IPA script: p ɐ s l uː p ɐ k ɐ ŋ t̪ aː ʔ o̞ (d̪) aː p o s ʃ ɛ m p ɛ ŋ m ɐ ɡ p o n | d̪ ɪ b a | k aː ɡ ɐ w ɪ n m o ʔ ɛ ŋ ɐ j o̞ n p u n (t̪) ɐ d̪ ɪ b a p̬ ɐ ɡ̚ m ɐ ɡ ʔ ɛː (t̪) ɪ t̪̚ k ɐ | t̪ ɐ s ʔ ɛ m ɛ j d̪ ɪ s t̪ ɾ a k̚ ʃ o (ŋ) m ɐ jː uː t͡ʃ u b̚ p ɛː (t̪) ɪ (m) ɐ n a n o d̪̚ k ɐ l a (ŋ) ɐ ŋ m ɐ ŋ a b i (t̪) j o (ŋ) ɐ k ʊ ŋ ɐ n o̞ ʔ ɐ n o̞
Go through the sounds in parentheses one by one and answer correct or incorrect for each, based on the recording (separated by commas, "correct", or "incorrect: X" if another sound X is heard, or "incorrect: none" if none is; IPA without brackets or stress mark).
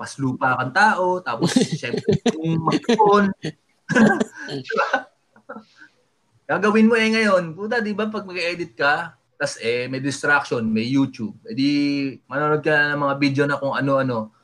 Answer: incorrect: t̪, correct, incorrect: d̪, incorrect: n, incorrect: d̪, correct, incorrect: n, incorrect: d̪, incorrect: n